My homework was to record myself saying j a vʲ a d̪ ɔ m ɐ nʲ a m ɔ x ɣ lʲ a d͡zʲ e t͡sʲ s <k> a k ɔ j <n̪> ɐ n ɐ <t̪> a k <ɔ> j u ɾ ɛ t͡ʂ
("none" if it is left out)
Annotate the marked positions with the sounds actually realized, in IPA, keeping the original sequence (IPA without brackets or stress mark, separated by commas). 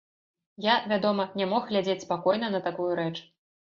p, n̪, t̪, u